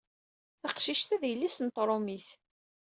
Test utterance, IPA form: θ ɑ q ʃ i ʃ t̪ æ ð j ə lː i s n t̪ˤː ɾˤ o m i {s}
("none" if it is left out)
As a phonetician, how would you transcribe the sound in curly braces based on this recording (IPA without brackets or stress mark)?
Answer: θ